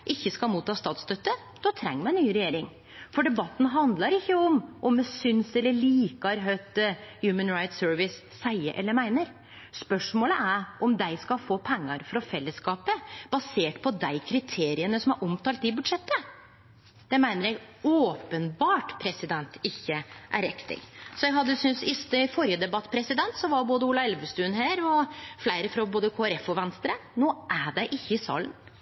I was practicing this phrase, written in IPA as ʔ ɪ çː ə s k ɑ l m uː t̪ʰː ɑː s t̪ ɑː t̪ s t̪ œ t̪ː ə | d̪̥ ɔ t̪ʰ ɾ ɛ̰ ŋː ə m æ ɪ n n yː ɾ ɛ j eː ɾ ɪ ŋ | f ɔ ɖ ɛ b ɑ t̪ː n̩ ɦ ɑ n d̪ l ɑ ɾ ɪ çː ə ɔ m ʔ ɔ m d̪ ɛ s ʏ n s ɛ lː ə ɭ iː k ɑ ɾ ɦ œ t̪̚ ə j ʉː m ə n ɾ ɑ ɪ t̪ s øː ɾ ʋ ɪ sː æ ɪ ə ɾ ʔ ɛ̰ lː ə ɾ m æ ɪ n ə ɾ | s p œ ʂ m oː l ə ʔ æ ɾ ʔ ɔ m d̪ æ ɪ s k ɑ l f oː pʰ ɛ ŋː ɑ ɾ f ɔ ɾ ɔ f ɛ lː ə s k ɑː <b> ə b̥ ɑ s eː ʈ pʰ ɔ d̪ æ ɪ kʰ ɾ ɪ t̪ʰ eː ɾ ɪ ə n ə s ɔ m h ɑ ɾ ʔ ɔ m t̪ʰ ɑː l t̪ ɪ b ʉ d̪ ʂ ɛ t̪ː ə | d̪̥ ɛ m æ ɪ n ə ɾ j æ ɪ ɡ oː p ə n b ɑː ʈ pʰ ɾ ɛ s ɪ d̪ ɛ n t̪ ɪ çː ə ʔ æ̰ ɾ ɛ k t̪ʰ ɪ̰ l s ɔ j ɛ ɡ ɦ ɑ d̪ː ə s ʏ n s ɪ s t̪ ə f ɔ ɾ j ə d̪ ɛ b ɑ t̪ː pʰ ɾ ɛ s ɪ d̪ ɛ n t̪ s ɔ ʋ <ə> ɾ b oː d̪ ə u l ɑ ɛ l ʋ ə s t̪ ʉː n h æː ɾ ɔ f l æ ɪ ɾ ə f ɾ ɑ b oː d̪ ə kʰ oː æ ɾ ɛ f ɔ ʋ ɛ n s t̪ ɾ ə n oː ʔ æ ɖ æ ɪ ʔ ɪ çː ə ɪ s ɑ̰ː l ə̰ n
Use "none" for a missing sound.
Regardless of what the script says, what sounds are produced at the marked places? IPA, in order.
p, ɑ

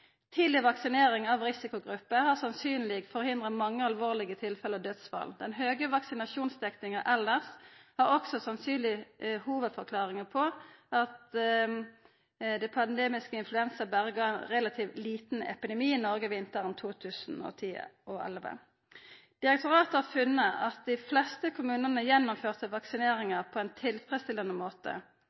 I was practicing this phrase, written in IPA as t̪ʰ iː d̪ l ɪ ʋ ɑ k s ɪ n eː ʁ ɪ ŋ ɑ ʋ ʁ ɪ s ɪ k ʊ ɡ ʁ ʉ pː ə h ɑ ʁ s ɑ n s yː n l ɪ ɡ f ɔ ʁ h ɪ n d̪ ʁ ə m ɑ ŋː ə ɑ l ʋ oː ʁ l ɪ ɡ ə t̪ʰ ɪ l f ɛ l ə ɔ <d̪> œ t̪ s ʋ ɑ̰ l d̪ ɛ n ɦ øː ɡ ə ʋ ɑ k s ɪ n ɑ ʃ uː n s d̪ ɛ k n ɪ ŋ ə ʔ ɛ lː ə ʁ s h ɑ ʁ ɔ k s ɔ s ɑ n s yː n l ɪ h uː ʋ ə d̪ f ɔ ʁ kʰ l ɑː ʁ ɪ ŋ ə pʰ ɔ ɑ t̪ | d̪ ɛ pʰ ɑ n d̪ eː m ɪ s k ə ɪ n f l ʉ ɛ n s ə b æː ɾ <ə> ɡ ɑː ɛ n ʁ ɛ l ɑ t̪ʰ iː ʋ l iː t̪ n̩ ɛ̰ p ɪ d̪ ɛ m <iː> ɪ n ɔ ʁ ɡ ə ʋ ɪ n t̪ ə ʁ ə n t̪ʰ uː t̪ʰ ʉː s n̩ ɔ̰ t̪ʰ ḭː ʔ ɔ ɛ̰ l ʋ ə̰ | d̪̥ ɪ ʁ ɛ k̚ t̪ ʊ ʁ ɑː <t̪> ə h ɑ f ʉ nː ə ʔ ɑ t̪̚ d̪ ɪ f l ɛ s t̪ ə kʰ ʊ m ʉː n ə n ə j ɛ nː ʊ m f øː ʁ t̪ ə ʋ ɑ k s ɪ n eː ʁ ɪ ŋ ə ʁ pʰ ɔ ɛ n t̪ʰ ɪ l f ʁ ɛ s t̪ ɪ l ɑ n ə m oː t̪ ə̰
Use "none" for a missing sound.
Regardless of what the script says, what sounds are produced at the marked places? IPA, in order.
d̪, ə, iː, t̪

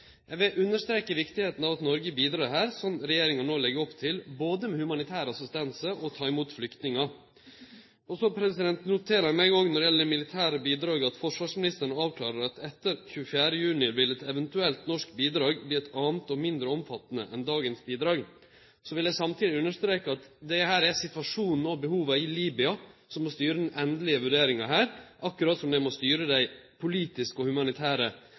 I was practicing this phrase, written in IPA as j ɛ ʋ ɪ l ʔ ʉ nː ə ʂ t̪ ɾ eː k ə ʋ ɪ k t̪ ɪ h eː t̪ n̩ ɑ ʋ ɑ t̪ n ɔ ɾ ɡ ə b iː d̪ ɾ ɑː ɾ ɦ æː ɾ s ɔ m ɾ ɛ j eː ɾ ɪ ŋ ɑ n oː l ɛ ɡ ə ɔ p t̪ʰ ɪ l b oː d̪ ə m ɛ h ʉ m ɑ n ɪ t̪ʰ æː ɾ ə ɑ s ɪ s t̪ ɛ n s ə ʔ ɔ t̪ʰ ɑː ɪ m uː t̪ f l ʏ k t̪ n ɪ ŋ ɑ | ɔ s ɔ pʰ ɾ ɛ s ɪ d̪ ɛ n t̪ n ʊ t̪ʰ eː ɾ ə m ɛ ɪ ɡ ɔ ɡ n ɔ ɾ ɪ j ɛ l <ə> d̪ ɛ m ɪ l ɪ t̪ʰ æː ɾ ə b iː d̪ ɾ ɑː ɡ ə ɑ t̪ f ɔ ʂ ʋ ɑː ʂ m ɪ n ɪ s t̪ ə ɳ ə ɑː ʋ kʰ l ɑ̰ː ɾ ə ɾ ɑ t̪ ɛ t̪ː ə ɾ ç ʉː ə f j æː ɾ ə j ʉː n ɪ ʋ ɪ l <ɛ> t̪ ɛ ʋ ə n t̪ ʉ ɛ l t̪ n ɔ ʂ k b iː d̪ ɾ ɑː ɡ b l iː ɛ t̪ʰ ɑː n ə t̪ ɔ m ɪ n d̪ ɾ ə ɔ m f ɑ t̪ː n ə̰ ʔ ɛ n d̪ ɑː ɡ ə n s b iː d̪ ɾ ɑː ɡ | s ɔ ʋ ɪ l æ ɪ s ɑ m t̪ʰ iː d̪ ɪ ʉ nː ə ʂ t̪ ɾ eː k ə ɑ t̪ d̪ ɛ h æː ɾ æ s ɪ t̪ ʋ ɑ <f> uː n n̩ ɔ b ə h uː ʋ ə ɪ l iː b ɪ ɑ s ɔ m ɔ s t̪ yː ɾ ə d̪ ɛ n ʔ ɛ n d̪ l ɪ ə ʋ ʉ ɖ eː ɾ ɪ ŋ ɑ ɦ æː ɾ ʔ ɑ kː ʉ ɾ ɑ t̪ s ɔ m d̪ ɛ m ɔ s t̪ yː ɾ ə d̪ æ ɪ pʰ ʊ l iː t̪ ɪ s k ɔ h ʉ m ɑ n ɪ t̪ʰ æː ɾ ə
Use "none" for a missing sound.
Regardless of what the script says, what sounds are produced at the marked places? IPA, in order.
ə, ɛ, ʂ

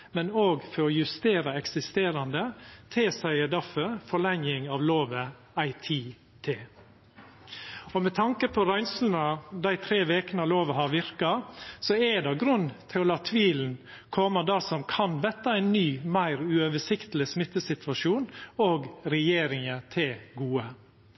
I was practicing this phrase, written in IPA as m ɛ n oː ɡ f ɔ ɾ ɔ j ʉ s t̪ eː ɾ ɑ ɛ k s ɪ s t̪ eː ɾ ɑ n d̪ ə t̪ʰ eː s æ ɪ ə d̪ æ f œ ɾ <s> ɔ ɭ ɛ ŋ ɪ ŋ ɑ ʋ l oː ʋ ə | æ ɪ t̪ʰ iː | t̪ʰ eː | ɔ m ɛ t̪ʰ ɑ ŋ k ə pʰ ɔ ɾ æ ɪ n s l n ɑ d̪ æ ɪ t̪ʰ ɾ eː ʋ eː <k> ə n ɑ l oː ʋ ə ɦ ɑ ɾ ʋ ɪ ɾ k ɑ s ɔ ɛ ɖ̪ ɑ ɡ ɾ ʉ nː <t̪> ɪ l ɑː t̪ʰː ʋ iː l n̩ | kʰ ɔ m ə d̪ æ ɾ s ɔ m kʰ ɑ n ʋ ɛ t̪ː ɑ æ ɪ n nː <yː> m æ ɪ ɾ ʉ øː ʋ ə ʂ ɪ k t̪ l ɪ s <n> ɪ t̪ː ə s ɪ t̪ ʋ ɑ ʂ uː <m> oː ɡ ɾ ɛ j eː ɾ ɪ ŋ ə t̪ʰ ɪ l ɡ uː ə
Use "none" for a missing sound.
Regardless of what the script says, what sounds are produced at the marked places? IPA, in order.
f, k, t̪ʰ, yː, m, n

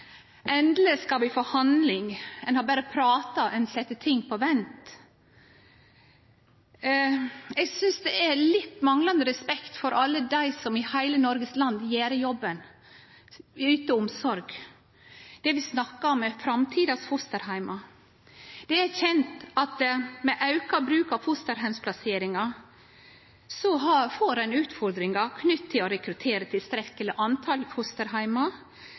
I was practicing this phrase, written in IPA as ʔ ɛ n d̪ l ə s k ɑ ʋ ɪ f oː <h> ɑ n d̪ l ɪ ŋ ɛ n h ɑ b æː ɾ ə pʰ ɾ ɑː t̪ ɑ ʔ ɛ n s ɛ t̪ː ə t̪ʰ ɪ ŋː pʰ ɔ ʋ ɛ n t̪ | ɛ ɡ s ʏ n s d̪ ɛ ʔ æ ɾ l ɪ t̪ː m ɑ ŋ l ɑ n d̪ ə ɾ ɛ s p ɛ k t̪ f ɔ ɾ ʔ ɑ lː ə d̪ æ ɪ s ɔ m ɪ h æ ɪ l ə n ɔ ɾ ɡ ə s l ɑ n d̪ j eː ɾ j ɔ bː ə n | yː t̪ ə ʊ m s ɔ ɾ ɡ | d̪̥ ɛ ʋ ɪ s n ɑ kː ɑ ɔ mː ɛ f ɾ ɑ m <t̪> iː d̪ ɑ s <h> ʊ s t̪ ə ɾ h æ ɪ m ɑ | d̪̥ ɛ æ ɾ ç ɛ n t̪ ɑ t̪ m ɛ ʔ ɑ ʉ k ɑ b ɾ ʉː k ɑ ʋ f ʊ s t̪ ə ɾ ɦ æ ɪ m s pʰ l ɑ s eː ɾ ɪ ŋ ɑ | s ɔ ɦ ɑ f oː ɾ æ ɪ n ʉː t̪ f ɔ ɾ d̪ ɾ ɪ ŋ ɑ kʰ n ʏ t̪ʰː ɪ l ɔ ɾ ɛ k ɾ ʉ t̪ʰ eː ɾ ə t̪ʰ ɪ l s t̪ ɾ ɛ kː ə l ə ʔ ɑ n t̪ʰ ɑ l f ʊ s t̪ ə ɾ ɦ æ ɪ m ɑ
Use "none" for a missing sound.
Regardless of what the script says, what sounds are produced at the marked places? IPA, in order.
h, t̪ʰ, f

